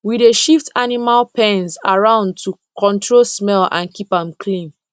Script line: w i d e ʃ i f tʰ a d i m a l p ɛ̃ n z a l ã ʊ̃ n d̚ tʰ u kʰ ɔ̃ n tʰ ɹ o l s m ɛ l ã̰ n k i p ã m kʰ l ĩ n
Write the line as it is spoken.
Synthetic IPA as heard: w i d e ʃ i f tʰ a n i m a l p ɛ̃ n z a ɹ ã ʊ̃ n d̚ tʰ u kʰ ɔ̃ n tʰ ɹ o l s m ɛ l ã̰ n k i p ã m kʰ l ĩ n